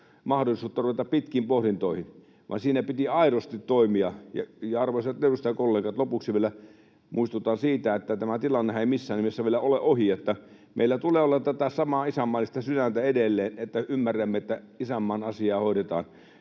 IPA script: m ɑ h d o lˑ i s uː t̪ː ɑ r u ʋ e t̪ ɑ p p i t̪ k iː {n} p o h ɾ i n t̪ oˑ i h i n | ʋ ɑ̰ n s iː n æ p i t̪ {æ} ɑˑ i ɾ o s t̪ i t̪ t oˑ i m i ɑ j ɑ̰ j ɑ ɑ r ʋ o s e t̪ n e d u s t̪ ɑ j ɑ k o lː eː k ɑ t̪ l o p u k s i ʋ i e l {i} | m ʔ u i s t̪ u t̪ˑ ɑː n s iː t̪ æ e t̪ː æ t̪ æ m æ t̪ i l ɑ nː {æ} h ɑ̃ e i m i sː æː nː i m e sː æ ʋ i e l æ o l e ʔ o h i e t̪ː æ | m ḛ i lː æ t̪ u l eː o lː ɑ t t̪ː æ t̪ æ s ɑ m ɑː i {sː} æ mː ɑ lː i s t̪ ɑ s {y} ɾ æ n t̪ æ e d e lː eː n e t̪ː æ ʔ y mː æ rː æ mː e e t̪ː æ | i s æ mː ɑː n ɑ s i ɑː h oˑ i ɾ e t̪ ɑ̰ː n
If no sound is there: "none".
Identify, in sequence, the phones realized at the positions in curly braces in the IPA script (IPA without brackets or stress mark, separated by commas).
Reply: m, i, æ, e, s, y